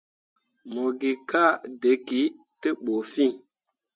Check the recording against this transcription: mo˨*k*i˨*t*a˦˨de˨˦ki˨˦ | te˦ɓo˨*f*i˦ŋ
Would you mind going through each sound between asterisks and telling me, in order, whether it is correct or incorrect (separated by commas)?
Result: incorrect, incorrect, correct